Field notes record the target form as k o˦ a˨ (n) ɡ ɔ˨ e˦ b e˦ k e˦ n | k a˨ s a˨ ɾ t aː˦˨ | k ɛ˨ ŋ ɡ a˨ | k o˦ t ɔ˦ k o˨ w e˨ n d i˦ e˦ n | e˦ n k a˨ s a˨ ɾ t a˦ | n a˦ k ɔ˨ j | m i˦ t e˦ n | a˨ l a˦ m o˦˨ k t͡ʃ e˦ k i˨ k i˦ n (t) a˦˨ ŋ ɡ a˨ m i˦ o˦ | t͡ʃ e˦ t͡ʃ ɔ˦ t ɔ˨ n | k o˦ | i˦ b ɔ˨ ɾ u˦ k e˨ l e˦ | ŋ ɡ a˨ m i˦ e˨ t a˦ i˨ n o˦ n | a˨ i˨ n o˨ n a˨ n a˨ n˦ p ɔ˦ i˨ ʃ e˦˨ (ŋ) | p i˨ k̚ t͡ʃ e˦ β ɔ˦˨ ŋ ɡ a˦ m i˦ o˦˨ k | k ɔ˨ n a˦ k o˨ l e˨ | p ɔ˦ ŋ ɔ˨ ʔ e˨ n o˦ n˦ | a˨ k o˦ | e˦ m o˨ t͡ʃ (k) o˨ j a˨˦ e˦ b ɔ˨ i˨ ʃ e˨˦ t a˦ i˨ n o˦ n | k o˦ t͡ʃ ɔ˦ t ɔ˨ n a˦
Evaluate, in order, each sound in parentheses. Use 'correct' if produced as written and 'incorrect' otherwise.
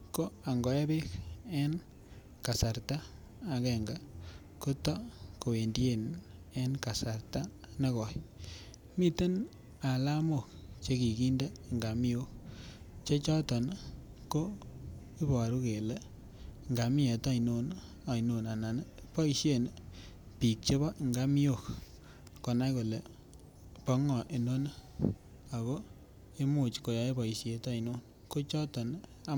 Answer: incorrect, incorrect, incorrect, correct

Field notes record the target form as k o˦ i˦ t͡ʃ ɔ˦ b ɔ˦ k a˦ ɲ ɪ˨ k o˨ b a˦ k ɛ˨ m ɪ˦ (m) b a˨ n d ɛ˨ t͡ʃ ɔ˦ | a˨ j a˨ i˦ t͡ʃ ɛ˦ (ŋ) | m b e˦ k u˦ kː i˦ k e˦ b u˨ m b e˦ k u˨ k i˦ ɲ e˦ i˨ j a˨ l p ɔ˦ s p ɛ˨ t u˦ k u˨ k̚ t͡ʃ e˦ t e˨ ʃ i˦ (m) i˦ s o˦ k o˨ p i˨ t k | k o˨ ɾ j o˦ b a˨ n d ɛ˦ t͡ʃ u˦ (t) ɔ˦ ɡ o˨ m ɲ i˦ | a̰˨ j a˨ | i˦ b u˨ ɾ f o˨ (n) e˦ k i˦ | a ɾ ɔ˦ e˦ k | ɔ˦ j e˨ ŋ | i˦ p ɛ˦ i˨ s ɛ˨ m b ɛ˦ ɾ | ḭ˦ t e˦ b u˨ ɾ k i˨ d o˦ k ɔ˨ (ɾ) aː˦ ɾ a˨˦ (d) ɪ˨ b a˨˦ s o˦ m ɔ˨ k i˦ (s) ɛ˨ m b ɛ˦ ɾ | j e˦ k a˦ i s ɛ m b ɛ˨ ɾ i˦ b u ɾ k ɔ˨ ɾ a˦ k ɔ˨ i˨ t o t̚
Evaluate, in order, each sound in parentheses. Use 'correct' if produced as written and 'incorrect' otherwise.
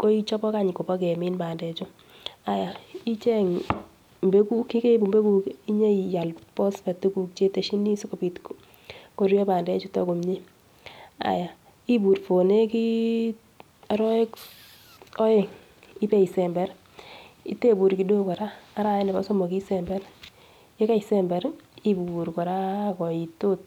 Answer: incorrect, correct, incorrect, correct, correct, correct, incorrect, correct

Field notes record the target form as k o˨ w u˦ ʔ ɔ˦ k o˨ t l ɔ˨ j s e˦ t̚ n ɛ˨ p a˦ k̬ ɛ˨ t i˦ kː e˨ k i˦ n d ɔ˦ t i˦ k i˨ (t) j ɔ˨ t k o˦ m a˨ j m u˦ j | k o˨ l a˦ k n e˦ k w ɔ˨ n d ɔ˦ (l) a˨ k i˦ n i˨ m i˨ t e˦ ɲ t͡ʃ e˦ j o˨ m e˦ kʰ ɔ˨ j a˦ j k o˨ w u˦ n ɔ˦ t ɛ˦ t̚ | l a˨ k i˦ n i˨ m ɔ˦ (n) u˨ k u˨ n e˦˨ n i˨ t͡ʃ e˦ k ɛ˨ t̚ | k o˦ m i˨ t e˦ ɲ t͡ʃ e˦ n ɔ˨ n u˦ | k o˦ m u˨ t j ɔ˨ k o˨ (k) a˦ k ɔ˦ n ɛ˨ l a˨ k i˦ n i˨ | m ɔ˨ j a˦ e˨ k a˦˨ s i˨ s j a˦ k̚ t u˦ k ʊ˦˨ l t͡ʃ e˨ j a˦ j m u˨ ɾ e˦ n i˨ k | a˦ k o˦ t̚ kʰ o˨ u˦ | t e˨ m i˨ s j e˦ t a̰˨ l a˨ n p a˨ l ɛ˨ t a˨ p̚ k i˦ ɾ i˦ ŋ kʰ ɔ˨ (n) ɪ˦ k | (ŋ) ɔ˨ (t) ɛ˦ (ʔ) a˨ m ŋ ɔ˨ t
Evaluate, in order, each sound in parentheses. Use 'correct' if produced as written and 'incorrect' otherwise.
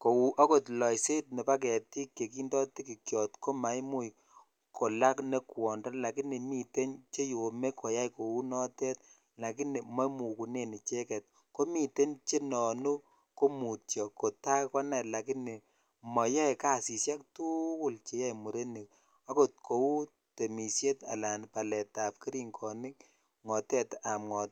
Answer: incorrect, correct, incorrect, incorrect, correct, correct, correct, incorrect

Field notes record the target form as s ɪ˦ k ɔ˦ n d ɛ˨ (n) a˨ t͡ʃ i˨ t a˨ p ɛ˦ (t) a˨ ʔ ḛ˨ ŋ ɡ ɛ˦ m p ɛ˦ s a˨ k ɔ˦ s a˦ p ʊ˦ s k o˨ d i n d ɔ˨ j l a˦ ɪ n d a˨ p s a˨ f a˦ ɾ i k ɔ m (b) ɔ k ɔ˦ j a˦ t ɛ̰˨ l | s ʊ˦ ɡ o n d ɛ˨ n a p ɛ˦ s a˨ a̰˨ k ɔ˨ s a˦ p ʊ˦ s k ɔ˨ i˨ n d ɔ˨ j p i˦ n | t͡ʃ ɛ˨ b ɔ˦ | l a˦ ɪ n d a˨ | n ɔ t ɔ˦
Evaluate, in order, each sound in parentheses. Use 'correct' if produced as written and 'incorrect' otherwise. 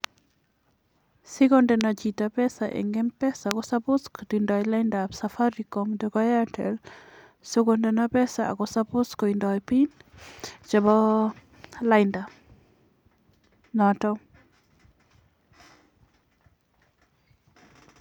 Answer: correct, incorrect, incorrect

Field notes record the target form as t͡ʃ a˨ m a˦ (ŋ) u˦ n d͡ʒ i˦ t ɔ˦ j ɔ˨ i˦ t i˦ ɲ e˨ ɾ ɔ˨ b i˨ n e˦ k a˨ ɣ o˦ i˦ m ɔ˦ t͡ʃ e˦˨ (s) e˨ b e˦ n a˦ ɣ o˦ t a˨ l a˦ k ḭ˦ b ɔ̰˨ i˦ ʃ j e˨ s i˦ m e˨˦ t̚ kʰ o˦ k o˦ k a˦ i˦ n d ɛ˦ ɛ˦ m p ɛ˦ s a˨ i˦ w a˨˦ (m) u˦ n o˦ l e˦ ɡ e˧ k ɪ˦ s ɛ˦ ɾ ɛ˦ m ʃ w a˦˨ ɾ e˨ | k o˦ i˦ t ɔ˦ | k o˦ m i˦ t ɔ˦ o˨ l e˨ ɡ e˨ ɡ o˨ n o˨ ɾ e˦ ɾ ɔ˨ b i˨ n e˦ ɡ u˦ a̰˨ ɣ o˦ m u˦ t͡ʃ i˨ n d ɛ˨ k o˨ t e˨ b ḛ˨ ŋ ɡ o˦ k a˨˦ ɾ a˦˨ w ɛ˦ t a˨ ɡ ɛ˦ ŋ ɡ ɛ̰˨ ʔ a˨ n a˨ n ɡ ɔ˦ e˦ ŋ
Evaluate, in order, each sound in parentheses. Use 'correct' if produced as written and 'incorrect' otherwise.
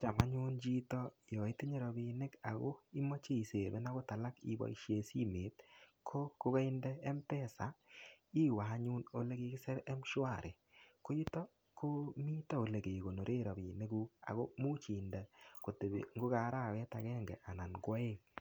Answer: incorrect, correct, incorrect

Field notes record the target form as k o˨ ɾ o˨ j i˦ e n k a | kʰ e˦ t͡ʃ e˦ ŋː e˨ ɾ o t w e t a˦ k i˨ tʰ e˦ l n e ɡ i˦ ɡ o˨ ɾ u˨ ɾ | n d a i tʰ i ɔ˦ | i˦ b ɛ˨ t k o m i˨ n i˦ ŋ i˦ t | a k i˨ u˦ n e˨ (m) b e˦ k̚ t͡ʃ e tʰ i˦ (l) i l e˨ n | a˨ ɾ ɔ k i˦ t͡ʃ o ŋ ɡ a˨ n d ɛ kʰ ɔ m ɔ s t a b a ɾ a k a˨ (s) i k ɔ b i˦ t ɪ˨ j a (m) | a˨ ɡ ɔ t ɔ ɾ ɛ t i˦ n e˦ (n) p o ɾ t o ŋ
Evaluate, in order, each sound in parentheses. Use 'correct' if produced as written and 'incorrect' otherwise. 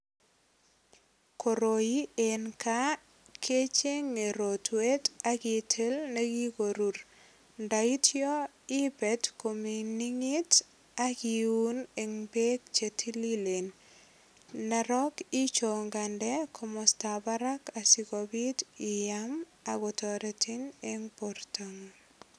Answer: incorrect, correct, correct, correct, incorrect

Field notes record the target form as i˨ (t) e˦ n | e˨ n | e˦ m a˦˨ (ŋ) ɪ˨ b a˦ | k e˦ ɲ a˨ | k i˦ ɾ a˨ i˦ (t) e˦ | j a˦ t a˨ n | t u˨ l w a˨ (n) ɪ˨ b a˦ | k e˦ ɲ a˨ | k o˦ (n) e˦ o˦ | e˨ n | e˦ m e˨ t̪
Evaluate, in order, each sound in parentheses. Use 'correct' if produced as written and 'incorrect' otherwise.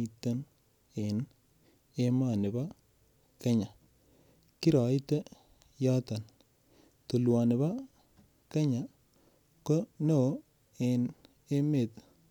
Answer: correct, incorrect, correct, correct, correct

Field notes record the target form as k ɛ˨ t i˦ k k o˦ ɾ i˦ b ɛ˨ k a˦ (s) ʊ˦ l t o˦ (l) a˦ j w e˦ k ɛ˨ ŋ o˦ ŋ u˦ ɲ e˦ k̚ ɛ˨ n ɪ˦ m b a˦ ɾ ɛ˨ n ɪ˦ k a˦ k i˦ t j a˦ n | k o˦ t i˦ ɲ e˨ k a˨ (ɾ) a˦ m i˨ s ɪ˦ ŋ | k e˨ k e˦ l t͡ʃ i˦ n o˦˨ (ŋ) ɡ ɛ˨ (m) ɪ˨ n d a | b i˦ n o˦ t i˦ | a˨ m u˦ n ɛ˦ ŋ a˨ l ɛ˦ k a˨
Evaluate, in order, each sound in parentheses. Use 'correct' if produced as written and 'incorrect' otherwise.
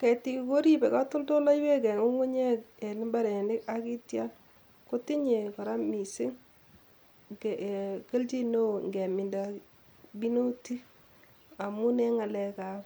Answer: incorrect, correct, correct, correct, correct

